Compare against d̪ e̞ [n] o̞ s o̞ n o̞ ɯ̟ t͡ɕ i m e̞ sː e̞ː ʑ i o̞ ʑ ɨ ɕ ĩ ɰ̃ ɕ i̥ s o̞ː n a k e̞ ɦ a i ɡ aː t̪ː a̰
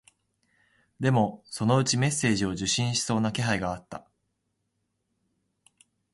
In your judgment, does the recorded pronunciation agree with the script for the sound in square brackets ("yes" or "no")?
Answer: no